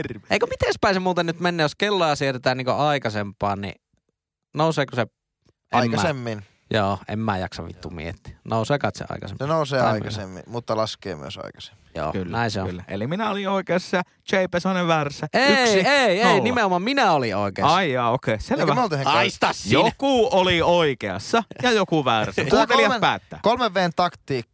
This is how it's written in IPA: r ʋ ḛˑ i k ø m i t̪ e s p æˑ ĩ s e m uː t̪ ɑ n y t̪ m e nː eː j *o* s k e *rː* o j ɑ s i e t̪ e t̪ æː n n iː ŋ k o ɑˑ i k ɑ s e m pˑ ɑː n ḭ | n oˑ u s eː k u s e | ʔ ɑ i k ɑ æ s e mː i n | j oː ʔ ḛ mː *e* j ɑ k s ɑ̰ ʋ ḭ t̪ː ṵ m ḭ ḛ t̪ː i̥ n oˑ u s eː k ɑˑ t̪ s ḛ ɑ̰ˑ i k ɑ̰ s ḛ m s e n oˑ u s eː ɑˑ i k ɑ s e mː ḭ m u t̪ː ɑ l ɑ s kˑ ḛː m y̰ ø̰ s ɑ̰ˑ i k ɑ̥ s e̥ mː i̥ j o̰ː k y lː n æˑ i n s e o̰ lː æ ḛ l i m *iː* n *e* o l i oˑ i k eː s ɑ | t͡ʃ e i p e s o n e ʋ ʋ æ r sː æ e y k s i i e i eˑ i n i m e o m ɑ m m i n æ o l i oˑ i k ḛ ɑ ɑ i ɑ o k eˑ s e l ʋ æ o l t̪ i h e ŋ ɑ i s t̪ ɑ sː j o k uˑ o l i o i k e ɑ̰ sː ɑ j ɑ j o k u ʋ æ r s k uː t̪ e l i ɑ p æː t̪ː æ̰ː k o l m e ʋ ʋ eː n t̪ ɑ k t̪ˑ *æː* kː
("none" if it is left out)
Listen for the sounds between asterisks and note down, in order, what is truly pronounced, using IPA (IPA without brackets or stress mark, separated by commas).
o, lː, æ, i, æ, iː